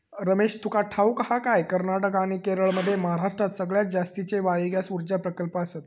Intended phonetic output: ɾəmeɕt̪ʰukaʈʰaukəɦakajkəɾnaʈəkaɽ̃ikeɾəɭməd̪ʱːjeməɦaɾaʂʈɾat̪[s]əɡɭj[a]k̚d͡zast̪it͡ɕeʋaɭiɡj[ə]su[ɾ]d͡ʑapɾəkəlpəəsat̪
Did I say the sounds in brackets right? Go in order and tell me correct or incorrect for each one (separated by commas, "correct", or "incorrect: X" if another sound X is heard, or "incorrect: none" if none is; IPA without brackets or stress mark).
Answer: correct, correct, incorrect: a, correct